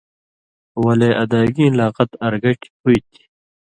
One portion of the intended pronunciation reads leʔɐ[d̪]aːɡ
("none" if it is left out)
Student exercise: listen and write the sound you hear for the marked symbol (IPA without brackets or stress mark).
d̪